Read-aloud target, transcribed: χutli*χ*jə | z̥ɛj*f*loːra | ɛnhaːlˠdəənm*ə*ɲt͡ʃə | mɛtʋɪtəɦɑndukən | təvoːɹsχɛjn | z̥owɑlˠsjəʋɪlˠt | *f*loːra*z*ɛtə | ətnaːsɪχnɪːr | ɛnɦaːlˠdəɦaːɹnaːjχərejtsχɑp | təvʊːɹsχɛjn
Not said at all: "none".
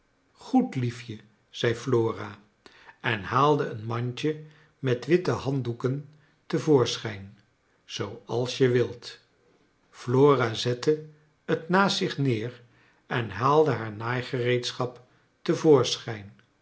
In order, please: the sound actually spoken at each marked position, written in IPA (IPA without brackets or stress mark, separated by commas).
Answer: f, f, ɑ, f, z